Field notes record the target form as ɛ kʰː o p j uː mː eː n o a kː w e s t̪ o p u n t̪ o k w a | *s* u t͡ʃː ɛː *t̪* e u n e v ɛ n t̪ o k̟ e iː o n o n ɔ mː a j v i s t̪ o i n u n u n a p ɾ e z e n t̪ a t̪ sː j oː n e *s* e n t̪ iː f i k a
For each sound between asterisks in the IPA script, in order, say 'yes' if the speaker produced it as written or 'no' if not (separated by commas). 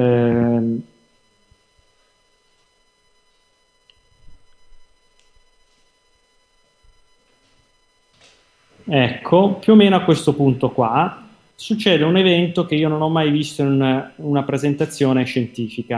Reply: yes, no, no